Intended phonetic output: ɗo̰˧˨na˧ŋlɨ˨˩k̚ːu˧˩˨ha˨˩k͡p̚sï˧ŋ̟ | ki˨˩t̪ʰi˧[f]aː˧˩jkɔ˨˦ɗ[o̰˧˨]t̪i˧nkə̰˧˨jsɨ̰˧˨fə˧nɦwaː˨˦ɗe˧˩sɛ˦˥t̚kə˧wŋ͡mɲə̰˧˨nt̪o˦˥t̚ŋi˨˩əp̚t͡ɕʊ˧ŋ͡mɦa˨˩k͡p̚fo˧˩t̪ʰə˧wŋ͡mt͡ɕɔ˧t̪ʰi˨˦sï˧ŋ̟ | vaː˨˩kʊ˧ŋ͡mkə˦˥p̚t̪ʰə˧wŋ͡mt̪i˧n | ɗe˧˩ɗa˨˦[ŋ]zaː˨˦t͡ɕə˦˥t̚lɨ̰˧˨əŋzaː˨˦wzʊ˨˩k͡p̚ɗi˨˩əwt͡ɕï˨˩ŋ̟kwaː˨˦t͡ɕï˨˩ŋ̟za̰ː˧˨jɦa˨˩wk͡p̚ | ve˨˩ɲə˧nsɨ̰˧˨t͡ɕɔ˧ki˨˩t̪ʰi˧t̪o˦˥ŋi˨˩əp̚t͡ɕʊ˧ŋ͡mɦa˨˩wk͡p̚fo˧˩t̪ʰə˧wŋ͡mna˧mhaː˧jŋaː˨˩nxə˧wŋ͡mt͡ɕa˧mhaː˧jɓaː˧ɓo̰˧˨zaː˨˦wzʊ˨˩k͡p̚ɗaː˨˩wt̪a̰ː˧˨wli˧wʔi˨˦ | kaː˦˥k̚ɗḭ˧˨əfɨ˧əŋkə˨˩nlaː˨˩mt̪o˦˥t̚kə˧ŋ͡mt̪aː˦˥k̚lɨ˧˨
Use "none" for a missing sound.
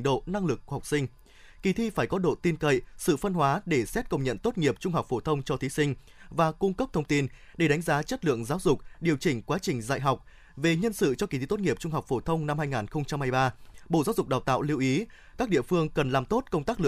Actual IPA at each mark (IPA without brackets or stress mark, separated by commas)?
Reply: f, o̰˧˨, ŋ